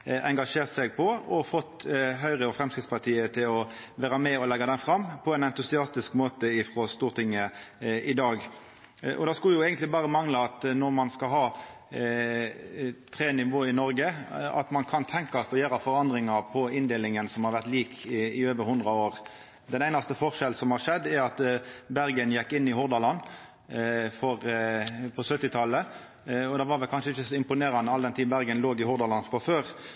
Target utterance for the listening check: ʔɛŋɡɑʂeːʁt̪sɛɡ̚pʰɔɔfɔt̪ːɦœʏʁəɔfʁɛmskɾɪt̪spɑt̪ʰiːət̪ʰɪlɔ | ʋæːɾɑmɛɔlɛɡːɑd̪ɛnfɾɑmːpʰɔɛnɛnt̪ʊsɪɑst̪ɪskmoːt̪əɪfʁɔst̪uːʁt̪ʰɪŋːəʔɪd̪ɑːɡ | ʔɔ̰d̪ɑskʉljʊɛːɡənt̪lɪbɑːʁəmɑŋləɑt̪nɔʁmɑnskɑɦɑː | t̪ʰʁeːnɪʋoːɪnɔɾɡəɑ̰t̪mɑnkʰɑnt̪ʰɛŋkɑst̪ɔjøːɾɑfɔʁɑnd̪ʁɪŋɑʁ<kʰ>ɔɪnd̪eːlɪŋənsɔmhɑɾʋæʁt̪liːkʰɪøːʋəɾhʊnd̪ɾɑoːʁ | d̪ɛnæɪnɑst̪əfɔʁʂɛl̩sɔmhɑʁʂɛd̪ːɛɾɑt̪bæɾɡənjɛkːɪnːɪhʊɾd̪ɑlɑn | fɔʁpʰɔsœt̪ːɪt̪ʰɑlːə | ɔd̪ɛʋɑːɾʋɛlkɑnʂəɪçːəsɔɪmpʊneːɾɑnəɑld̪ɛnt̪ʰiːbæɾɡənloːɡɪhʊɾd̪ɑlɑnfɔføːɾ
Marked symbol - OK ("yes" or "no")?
no